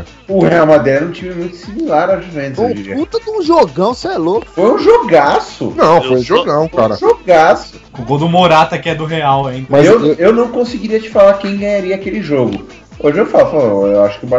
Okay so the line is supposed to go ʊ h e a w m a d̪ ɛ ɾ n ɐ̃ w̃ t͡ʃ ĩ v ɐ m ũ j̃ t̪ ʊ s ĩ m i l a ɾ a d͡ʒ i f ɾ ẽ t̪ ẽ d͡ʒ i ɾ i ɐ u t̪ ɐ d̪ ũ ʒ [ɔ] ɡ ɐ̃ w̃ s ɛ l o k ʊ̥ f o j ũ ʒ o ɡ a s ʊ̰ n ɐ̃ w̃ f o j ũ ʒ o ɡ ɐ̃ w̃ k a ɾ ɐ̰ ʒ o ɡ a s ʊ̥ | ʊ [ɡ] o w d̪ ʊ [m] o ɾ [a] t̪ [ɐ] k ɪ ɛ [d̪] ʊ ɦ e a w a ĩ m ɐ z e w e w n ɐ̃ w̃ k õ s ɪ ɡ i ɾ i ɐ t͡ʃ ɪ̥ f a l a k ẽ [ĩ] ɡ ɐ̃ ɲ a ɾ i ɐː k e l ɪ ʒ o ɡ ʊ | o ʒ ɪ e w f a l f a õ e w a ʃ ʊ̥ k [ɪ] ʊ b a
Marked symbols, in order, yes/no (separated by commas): no, yes, yes, yes, yes, yes, no, yes